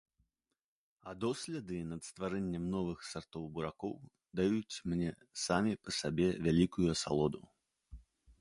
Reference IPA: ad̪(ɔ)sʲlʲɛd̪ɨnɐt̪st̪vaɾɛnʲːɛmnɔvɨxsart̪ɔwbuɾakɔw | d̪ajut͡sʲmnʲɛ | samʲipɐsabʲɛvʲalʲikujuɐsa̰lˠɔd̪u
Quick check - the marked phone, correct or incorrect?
correct